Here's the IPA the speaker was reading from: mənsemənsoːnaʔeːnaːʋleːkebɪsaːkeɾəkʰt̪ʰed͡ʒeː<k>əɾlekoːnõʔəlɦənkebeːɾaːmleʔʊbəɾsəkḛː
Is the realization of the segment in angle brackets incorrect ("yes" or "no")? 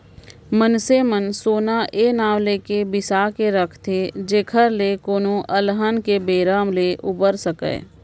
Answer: yes